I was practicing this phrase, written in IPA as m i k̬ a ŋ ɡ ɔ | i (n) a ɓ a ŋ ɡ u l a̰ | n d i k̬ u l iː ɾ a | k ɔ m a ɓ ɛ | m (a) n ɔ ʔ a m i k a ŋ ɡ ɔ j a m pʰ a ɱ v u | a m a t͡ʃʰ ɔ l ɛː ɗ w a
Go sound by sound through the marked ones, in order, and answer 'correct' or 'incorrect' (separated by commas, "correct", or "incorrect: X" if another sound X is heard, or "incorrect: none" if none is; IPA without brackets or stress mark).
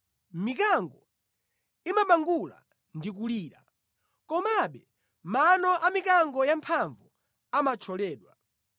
incorrect: m, correct